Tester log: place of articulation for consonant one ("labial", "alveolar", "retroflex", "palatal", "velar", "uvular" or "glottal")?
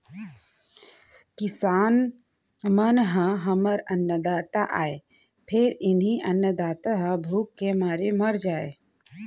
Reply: velar